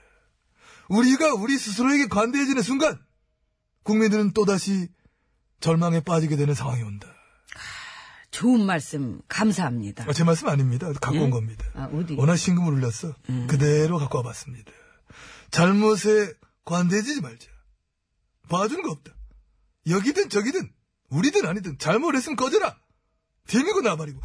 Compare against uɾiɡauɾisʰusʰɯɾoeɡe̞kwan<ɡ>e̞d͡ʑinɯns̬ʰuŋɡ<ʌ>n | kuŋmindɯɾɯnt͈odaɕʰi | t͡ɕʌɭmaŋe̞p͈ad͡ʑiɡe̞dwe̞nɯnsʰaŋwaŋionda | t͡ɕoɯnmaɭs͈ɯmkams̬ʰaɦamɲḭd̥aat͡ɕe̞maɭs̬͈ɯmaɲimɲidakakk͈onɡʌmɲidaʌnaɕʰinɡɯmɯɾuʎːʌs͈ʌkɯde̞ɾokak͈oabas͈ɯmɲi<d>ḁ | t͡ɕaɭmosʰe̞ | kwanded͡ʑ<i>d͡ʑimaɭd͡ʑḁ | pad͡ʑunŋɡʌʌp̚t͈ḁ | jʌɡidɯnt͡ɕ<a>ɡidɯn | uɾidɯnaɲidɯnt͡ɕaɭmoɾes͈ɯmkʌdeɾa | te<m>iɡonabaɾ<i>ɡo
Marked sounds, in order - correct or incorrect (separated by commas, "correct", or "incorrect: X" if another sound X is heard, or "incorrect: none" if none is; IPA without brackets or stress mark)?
incorrect: d, incorrect: a, correct, correct, incorrect: ʌ, correct, correct